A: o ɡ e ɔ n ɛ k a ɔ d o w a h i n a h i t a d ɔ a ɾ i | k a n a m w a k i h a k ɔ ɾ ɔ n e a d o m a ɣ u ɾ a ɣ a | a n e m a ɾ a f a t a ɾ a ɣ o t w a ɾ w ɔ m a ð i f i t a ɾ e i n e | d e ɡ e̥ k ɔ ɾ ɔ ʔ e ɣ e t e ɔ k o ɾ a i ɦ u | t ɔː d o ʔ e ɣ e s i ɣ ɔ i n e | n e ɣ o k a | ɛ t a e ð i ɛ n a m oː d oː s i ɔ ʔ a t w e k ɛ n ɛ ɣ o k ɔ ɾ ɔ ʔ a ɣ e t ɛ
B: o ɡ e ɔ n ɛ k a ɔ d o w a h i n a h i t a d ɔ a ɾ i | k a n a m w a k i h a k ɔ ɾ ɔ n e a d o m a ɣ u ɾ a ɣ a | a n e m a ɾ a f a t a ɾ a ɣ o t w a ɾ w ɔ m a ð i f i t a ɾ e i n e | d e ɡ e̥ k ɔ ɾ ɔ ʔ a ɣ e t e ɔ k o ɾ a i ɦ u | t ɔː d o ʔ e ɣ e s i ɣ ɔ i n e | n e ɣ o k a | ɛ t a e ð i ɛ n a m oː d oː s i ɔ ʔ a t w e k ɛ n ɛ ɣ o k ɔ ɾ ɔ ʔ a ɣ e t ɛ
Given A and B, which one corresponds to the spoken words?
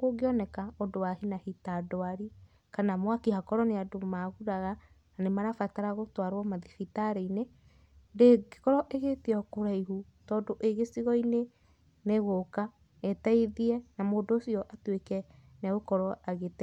A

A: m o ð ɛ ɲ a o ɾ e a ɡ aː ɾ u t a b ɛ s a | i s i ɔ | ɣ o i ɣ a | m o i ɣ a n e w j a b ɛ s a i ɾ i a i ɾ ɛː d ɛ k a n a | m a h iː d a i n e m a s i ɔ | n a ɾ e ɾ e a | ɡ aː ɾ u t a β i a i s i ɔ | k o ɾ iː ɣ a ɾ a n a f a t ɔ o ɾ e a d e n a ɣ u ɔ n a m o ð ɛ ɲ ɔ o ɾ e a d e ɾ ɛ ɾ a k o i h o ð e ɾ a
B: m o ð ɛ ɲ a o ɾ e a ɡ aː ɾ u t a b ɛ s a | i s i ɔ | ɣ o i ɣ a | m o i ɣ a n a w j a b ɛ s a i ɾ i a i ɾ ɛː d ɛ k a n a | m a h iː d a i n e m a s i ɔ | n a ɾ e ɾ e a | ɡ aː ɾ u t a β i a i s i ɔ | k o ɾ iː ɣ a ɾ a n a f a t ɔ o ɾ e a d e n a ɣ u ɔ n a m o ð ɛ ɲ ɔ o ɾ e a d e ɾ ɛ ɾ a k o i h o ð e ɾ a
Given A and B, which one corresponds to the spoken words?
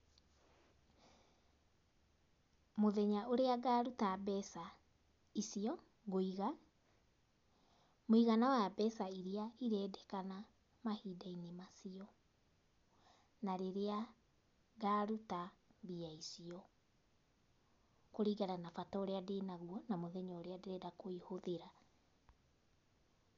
B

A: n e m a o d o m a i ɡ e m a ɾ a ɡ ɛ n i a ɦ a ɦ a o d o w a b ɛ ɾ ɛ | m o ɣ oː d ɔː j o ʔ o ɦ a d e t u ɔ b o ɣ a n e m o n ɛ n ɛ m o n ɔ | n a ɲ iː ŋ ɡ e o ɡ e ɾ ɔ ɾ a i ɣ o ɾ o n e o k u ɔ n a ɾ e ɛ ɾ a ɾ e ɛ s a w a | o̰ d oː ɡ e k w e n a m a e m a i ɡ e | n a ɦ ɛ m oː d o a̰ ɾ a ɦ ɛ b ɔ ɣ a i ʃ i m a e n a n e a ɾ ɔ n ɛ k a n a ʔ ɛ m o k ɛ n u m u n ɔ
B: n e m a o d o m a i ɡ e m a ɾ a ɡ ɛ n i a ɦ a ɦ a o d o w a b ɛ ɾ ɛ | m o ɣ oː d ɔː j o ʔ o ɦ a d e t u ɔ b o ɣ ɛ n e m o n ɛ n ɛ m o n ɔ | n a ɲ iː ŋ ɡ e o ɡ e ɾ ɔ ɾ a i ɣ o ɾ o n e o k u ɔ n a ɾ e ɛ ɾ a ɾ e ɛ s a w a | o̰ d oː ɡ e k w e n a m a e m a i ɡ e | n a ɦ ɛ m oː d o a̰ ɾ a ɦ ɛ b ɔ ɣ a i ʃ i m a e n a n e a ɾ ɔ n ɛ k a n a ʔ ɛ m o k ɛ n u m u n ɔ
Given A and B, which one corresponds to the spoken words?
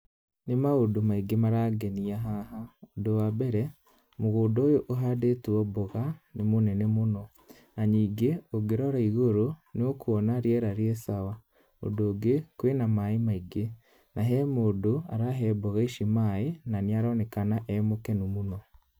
A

